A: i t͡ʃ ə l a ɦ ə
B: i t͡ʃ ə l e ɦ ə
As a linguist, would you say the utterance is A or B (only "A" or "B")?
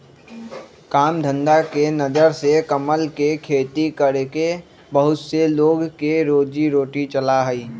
A